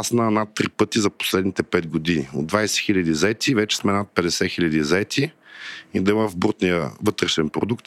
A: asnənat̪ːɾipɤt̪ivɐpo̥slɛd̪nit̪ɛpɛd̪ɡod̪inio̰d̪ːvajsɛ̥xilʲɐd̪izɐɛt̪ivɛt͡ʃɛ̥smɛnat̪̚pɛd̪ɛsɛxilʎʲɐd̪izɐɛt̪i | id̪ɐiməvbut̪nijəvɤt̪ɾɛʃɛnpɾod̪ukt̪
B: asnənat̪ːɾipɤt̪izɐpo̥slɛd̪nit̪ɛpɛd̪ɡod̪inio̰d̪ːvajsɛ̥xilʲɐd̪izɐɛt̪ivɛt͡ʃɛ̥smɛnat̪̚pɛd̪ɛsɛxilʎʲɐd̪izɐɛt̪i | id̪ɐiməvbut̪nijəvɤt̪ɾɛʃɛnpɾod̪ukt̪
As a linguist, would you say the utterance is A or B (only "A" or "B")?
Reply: B